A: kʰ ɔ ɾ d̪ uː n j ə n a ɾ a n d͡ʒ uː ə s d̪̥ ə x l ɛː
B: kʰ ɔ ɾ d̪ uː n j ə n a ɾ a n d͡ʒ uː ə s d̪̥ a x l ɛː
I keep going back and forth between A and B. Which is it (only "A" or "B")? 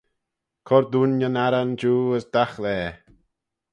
B